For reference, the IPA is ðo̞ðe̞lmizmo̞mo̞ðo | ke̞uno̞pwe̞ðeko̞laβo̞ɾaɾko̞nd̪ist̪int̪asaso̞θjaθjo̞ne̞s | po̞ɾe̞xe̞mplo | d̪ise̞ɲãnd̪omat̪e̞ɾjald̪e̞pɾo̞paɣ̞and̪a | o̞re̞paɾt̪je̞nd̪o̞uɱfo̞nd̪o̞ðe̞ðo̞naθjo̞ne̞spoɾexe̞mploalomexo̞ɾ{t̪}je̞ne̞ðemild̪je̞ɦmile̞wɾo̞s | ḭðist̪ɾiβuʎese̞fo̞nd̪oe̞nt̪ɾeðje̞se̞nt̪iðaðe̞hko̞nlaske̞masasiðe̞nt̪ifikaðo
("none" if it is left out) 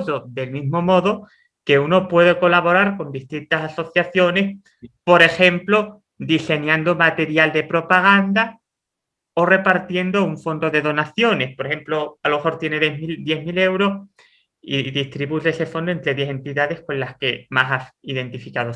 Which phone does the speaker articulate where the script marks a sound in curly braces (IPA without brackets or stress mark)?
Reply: t̪